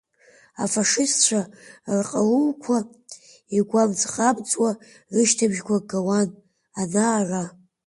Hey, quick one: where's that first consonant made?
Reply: lips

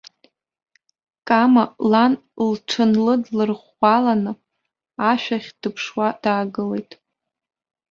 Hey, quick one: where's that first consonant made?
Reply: velum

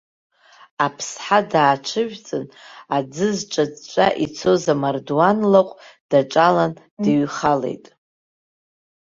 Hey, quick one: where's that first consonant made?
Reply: lips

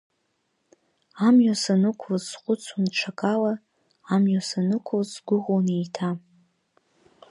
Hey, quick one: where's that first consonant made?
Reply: lips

